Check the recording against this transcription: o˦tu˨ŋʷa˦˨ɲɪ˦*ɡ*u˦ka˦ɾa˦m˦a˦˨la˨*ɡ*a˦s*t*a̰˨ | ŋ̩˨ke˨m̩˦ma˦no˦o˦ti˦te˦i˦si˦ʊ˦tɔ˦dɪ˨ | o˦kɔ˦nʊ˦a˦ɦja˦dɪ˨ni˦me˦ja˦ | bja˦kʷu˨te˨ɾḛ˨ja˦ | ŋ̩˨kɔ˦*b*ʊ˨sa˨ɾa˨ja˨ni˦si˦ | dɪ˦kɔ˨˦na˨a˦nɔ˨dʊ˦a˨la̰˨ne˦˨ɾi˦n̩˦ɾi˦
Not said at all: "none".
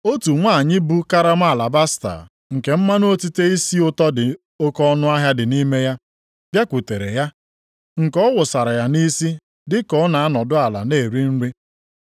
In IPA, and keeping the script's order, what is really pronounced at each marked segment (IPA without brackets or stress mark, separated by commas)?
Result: b, b, t, w